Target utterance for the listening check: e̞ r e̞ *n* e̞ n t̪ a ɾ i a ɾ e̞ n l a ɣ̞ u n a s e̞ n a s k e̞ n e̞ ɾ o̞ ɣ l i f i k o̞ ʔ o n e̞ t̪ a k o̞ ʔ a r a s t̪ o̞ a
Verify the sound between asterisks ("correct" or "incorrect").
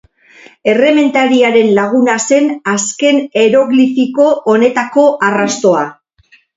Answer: incorrect